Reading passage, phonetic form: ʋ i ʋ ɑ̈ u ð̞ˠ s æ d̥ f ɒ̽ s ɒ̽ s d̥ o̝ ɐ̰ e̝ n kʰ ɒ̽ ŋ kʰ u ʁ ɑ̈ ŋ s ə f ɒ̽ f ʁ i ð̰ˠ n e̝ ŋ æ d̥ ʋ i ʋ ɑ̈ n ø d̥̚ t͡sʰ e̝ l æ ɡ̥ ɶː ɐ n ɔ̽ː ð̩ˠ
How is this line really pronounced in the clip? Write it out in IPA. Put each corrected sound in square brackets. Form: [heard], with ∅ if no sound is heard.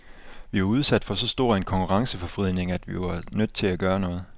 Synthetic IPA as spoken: ʋ i ʋ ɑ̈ u ð̞ˠ s æ d̥ f ɒ̽ s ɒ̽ s d̥ o̝ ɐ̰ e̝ n kʰ ɒ̽ ŋ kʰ u ʁ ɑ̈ ŋ s ə f ɒ̽ f ʁ i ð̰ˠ n e̝ ŋ æ d̥ ʋ i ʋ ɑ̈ n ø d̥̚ t͡sʰ e̝ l æ ɡ̥ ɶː ɐ n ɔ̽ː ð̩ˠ